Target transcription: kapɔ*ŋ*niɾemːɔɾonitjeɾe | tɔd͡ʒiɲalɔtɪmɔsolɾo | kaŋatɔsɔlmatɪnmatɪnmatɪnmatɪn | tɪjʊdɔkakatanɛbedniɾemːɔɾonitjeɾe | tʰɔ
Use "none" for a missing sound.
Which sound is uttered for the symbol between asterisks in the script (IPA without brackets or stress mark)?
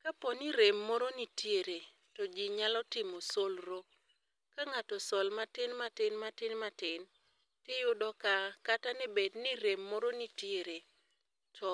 none